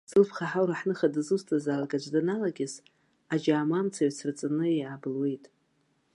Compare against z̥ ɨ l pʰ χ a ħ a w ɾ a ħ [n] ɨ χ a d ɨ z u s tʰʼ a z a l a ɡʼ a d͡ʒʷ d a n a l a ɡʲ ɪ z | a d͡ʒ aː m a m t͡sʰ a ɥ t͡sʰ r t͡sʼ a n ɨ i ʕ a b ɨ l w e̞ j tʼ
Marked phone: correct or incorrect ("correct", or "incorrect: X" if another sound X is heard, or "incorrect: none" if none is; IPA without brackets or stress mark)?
correct